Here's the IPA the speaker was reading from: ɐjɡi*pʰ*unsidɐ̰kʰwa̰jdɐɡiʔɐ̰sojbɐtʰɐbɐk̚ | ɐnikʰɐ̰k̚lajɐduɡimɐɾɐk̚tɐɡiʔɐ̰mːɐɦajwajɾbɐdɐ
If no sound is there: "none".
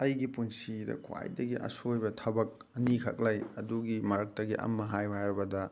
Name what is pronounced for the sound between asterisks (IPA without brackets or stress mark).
p